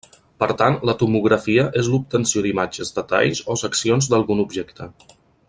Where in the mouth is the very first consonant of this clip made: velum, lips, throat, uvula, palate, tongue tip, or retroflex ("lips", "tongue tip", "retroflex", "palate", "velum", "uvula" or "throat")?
lips